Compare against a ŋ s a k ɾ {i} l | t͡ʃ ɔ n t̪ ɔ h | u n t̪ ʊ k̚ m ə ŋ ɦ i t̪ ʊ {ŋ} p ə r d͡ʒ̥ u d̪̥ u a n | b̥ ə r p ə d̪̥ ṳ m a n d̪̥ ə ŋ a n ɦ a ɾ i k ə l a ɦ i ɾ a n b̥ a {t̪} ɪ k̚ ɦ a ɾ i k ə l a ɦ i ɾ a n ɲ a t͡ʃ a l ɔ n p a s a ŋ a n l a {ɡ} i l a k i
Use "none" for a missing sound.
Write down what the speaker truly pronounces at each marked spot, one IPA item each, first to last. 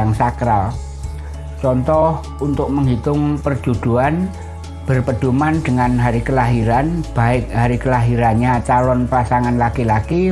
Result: a, ŋ, none, k

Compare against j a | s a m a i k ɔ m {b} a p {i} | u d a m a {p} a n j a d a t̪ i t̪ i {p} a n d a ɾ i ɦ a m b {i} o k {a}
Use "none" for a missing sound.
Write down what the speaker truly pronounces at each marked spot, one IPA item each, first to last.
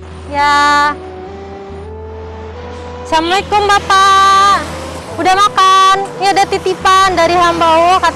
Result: b, a, k, p, a, a

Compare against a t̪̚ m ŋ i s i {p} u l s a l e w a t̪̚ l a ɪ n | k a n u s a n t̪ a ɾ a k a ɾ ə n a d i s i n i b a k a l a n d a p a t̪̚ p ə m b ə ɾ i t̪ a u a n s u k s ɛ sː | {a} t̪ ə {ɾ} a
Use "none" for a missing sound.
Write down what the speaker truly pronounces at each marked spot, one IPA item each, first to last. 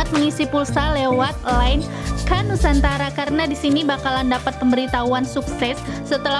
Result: p, ə, l

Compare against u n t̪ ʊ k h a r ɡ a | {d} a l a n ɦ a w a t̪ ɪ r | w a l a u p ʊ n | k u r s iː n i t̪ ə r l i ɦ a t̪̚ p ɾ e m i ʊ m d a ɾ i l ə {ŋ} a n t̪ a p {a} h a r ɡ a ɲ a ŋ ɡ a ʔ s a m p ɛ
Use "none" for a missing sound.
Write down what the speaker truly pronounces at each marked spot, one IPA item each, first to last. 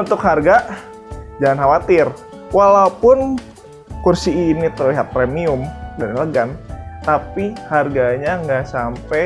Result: d͡ʒ, ɡ, i

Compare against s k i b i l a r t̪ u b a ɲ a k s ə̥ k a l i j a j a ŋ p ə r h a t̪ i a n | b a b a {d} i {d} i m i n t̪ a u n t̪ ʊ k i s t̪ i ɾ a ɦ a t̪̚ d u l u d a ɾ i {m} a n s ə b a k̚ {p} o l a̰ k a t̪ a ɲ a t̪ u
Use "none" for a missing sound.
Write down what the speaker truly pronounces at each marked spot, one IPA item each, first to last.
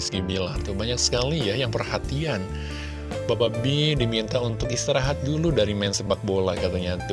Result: b, d, m, b

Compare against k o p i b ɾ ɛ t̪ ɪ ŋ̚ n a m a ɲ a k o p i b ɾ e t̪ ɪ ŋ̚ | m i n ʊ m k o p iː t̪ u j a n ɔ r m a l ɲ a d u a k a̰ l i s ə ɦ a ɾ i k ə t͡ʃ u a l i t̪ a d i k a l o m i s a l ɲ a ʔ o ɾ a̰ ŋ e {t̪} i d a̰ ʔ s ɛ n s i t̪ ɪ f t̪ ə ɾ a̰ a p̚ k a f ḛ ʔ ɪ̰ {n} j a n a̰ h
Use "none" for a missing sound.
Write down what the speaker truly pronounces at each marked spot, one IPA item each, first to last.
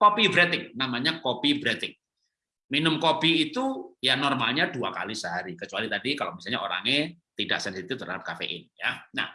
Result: t̪, n

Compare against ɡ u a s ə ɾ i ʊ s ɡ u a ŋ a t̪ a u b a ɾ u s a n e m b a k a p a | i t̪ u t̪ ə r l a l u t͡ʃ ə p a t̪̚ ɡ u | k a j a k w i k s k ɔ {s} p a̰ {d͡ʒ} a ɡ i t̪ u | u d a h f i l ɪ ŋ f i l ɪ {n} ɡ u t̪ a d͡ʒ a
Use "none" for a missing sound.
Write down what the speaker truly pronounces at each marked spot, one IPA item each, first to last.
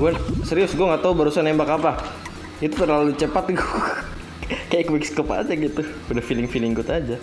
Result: none, d͡ʒ, ŋ

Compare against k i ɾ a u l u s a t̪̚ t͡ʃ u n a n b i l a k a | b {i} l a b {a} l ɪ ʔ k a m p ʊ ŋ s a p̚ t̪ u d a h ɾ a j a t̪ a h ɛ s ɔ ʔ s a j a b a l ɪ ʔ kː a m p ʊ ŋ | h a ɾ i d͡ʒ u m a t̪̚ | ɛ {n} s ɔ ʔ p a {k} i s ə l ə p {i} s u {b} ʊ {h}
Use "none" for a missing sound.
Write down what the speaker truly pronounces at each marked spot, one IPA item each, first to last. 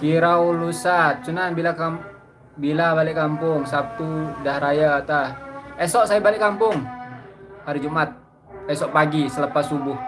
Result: i, a, none, ɡ, a, b, h

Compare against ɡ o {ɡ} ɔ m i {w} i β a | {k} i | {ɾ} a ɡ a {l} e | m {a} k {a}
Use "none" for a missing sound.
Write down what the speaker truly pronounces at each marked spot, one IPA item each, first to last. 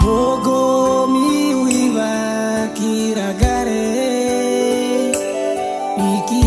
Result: ɡ, w, k, ɾ, ɾ, i, i

